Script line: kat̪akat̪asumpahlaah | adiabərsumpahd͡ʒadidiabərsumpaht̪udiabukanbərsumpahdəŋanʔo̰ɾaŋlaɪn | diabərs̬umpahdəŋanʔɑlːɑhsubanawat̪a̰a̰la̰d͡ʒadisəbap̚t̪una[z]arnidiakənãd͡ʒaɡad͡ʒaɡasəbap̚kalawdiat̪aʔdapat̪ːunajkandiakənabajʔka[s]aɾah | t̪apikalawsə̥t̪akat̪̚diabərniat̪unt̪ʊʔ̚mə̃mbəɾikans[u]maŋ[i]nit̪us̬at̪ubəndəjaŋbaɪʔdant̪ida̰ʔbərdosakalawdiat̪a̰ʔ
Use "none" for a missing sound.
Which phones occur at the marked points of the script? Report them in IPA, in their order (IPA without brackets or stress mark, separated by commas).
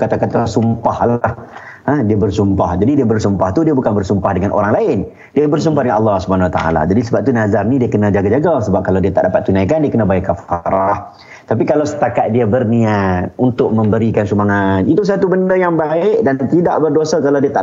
z, f, u, a